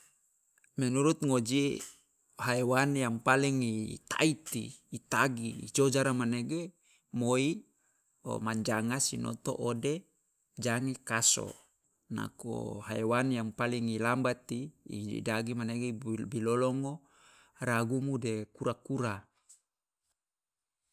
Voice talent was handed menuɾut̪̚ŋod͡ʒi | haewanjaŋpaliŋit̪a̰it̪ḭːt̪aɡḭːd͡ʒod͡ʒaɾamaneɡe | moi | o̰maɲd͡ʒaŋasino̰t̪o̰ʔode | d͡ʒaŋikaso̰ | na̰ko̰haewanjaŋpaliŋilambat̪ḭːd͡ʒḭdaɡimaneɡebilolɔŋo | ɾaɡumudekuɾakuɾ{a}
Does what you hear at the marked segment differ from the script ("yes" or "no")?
no